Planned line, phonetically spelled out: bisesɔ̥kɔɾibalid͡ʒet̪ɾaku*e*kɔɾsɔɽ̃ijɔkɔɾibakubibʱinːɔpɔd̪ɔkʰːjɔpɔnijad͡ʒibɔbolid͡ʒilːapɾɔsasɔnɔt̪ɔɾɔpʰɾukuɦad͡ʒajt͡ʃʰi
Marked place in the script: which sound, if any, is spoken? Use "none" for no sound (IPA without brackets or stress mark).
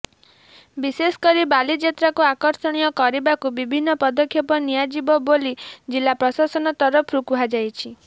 a